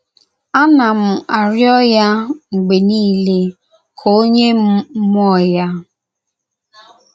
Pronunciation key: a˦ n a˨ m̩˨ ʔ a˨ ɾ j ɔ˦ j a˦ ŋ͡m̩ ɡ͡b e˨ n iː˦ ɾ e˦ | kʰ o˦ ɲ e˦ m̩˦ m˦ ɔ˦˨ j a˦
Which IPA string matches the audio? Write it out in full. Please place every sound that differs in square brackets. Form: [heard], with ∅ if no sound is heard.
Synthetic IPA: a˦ n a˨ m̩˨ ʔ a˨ ɾ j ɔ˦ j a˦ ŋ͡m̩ ɡ͡b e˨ n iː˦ [l] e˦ | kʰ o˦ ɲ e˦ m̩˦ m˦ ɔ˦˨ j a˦